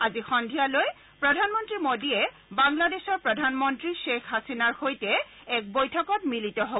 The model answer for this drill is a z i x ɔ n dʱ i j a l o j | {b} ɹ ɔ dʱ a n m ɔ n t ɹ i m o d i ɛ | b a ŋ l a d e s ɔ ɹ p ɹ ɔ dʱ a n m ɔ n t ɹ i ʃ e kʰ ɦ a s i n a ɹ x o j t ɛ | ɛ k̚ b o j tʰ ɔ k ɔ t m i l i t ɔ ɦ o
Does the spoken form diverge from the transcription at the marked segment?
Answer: yes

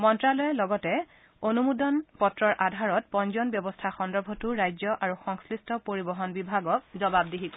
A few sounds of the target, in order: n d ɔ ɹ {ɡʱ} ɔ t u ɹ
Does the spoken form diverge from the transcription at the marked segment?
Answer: yes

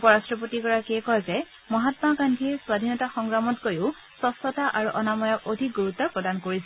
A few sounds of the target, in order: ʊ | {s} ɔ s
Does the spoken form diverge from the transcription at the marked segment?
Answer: no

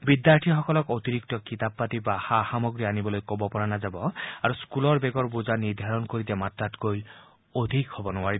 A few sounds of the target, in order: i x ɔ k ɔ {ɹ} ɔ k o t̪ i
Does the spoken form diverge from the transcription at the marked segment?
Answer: yes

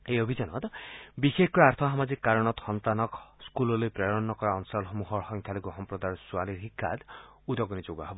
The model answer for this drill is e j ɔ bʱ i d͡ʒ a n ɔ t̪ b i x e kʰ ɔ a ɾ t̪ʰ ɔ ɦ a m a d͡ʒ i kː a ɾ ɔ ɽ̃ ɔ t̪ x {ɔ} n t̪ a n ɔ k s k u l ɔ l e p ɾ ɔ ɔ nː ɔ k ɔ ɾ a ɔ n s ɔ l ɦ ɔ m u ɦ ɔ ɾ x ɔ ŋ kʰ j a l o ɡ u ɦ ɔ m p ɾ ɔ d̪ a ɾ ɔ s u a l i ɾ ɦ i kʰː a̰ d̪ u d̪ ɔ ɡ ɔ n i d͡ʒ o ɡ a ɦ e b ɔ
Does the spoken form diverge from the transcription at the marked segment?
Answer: no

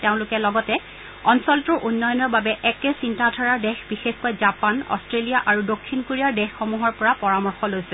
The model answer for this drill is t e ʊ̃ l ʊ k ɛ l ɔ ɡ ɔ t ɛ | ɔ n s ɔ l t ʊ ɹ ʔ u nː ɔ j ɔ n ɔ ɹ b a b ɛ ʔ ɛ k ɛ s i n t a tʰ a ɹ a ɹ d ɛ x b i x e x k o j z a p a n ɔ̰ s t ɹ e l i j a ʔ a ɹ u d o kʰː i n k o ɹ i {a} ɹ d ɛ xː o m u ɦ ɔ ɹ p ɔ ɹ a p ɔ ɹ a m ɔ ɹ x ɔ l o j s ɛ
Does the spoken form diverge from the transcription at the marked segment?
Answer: no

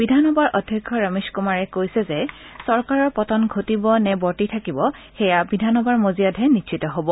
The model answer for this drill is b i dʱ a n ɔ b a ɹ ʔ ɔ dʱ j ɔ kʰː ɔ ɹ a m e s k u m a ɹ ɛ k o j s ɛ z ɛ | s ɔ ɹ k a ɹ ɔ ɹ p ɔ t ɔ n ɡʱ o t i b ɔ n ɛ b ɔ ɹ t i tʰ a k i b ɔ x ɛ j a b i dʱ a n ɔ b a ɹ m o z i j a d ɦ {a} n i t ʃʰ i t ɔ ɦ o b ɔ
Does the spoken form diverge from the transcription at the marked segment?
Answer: yes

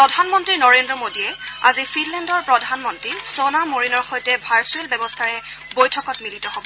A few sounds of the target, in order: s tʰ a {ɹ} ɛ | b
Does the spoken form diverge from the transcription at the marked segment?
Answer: no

